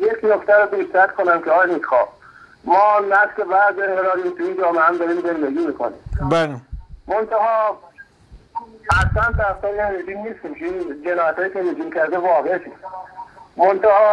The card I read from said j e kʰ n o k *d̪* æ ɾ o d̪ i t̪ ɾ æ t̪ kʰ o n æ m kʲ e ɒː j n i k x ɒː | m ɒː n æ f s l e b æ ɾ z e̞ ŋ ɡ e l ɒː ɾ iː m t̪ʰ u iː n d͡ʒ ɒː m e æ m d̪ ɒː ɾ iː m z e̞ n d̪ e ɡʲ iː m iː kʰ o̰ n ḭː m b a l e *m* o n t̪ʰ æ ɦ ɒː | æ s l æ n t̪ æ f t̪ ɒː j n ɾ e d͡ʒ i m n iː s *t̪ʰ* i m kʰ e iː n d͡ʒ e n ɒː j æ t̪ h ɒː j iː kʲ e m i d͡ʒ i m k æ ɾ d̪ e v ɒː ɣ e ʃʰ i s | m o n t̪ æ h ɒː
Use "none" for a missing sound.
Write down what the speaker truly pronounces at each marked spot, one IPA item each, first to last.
t̪, m, t̪

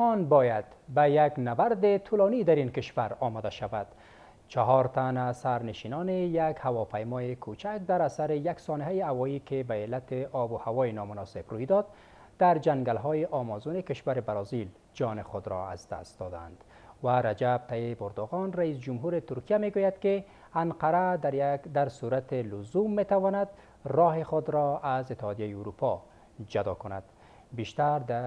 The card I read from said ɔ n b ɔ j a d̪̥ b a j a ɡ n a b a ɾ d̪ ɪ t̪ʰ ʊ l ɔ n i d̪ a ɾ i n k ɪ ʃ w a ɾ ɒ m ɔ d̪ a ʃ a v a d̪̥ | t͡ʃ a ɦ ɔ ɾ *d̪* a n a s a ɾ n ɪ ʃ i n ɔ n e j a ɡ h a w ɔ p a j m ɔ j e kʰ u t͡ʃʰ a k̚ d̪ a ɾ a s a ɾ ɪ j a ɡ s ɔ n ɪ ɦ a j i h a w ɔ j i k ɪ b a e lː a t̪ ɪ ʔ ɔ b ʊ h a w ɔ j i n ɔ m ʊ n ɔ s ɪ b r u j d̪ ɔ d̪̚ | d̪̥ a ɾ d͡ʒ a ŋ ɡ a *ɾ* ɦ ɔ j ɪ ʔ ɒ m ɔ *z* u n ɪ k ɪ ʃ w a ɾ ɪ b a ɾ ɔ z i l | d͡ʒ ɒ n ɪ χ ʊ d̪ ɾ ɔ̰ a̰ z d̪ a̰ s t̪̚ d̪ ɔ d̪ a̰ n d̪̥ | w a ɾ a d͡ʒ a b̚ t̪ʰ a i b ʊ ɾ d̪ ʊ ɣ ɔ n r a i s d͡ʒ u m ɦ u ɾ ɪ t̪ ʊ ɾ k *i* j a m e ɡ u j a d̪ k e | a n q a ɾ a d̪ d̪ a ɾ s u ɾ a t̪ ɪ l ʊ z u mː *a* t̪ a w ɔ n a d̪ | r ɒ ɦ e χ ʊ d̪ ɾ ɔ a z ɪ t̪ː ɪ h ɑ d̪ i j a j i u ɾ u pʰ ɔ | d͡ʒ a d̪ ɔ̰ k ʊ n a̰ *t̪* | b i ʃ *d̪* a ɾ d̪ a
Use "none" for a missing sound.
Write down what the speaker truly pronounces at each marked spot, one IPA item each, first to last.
t̪, l, z, i, e, d̪, t̪

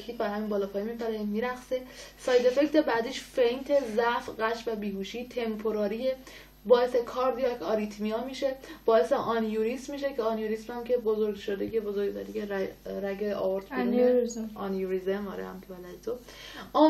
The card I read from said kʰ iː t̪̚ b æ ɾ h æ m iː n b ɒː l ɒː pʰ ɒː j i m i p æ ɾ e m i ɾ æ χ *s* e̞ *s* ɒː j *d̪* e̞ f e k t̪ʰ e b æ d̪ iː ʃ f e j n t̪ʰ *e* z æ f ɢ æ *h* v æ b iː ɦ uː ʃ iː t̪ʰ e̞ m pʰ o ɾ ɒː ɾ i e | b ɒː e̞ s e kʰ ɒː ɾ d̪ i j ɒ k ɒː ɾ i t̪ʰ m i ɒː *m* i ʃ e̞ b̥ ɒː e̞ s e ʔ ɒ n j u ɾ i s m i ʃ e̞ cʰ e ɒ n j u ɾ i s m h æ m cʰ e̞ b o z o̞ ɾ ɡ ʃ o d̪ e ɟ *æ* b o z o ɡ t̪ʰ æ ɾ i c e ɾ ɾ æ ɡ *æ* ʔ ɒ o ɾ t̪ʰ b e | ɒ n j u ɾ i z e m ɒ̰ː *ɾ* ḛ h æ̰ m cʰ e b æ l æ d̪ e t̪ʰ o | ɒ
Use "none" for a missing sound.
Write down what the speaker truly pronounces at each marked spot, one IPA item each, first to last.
s, s, d̪, e, ʃ, m, e, e, ɾ

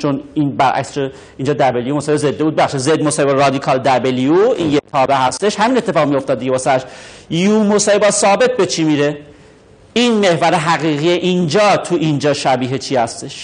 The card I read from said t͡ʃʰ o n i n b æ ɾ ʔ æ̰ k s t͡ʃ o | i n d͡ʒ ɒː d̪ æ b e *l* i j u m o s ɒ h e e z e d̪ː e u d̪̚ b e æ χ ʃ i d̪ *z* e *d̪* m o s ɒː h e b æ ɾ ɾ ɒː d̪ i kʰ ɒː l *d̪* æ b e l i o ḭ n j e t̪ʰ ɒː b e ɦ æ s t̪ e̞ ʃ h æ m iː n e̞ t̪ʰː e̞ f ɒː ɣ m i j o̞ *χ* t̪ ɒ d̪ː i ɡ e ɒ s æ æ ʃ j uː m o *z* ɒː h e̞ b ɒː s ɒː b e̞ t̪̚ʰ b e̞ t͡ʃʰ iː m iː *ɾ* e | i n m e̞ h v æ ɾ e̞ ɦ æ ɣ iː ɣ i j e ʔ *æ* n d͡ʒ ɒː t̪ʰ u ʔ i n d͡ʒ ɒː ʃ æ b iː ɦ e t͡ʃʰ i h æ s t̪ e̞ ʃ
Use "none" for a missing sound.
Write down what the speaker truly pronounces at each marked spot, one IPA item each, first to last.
l, z, d̪, d̪, f, s, ɾ, i

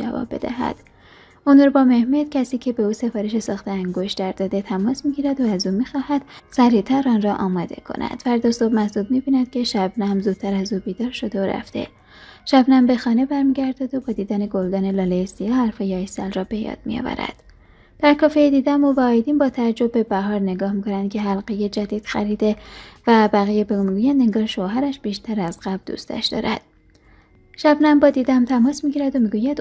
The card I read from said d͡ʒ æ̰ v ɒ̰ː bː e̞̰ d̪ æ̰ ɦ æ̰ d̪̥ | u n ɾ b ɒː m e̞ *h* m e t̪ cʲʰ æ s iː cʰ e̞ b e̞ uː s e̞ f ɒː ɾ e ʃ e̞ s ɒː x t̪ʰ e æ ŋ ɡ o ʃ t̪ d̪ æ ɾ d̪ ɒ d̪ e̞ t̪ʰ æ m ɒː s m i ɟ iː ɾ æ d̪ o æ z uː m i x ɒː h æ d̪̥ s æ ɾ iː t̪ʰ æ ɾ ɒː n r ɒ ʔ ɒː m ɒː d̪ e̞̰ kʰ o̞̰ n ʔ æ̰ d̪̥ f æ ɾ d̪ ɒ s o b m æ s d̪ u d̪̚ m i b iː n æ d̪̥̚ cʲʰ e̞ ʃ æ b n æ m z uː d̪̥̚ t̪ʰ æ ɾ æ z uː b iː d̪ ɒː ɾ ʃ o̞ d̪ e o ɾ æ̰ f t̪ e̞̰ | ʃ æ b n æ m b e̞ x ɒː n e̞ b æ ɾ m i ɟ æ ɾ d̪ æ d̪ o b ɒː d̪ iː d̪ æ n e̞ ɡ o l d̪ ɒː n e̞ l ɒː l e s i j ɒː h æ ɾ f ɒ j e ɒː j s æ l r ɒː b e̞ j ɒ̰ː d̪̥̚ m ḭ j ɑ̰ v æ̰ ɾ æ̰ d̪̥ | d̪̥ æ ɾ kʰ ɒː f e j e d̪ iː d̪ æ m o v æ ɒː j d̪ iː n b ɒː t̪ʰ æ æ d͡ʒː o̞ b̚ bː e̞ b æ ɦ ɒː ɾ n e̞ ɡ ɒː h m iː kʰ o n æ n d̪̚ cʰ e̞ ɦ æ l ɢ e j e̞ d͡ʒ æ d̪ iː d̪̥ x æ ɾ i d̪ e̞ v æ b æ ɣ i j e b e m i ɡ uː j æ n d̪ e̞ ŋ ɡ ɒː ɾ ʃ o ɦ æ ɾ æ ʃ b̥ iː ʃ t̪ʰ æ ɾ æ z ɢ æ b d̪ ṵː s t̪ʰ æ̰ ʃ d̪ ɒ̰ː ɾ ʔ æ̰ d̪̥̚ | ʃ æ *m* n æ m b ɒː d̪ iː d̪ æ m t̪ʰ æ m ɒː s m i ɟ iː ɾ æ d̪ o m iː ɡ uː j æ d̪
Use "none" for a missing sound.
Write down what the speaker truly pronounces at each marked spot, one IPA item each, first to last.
h, b

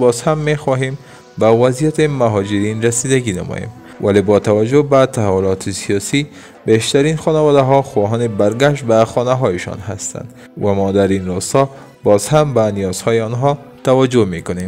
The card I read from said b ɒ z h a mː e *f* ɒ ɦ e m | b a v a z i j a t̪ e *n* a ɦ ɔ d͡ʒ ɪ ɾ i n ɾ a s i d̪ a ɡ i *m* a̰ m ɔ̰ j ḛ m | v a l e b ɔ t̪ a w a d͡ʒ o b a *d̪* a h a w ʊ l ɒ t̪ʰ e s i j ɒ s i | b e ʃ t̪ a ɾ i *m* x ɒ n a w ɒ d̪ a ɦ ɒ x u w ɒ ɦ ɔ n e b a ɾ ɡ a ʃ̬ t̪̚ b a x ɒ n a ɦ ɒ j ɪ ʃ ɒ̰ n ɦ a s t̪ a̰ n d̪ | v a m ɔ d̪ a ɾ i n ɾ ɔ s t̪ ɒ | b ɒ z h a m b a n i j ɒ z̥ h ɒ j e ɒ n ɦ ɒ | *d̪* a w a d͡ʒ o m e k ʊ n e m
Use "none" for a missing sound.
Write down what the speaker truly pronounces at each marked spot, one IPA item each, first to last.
x, m, n, t̪, n, t̪

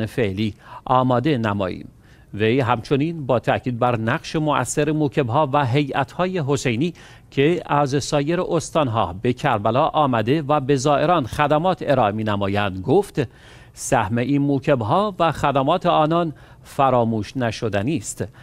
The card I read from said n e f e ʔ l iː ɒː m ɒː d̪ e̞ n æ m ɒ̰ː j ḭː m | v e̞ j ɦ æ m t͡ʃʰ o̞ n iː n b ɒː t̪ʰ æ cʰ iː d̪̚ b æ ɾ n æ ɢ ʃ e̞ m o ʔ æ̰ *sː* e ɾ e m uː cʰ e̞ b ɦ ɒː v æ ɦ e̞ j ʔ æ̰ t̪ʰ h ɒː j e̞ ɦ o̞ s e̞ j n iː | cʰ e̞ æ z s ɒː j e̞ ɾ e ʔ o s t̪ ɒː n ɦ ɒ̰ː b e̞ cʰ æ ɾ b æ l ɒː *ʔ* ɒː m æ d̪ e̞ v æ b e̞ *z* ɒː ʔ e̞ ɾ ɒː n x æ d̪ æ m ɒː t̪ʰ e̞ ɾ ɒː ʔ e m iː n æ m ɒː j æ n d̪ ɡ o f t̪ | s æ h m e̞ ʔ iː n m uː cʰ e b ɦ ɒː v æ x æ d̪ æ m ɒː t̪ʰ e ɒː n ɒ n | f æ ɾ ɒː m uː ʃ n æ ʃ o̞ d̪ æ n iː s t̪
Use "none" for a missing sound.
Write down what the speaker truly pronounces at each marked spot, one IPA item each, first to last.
sː, ʔ, z

